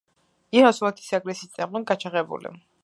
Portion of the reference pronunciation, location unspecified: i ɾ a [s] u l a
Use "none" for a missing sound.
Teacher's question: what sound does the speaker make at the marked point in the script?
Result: s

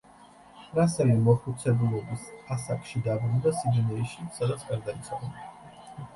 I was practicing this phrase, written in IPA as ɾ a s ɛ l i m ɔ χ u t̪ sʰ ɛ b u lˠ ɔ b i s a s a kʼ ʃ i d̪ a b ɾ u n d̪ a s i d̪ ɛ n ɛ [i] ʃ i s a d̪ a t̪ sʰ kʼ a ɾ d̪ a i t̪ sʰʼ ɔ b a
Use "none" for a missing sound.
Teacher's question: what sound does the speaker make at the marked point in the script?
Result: i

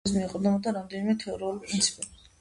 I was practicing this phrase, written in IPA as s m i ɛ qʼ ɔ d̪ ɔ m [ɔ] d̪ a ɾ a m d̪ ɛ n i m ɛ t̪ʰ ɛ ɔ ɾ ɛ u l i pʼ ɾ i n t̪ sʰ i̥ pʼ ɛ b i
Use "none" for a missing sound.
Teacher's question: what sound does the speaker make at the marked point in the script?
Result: ɔ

